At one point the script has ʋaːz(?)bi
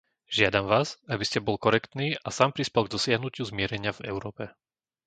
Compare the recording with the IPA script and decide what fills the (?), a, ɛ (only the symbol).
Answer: a